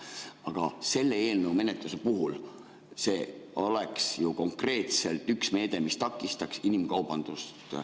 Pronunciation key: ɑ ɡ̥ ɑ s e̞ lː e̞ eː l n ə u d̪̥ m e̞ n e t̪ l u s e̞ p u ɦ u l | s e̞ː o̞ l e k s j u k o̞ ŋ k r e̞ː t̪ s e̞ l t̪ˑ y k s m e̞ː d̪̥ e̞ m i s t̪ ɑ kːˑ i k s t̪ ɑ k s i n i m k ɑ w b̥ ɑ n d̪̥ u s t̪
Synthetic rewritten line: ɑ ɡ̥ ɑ s e̞ lː e̞ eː l n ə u m e̞ n e t̪ l u s e̞ p u ɦ u l | s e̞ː o̞ l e k s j u k o̞ ŋ k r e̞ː t̪ s e̞ l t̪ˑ y k s m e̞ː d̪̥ e̞ m i s t̪ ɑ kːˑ i s t̪ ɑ k s i n i m k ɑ w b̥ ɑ n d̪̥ u s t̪

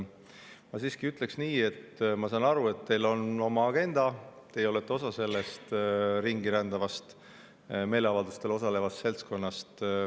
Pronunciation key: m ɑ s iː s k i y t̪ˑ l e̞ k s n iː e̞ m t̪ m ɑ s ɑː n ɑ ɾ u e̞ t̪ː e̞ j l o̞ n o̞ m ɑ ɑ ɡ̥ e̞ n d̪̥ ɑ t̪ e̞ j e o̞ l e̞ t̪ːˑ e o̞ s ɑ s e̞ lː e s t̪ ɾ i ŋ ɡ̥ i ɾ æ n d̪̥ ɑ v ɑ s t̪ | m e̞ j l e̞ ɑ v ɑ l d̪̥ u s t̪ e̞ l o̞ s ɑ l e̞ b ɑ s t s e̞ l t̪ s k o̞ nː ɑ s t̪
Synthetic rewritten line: m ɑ s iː s k i y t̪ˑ l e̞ k s n iː e̞ t̪ m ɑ s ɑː n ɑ ɾ u e̞ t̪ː e̞ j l o̞ n o̞ m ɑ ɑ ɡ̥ e̞ n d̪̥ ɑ t̪ e̞ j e o̞ l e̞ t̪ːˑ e o̞ s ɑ s e̞ lː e s t̪ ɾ i ŋ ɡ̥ i ɾ æ n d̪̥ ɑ v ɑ s t̪ | m e̞ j l e̞ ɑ v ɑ l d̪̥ u s t̪ e̞ l o̞ s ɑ l e̞ v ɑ s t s e̞ l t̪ s k o̞ nː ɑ s t̪

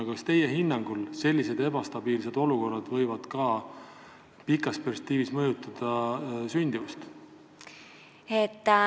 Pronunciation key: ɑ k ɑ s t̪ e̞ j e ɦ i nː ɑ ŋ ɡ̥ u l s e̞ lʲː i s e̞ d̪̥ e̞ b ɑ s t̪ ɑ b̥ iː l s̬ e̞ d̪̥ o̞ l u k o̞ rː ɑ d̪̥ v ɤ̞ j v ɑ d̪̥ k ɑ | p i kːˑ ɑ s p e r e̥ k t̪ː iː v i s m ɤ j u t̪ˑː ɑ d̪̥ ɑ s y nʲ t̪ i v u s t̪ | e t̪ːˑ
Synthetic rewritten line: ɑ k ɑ s t̪ e̞ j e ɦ i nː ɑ ŋ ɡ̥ u l s e̞ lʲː i s e̞ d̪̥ e̞ b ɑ s t̪ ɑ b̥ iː l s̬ e̞ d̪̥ o̞ l u k o̞ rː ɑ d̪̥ v ɤ̞ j v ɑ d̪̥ k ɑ | p i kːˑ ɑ s p e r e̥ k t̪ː iː v i s m ɤ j u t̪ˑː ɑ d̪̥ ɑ s y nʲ d̪ i v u s t̪ | e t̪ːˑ

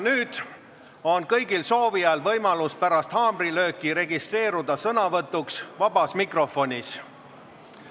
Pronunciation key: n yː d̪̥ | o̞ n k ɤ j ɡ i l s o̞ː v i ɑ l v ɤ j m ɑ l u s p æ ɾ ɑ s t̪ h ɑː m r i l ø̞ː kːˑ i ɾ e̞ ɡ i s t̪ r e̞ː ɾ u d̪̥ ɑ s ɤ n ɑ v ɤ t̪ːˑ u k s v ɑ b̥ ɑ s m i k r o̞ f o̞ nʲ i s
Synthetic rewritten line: n yː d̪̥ | o̞ n k ɤ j ɡ i l s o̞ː v i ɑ l v ɤ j m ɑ l u s p æ ɾ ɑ s t̪ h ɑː m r i l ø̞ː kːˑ i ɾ e̞ ɡ i s t̪ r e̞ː ɾ u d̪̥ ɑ s ɤ n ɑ v ɤ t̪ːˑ u k s v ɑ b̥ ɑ s m i k r o̞ f o̞ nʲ i s

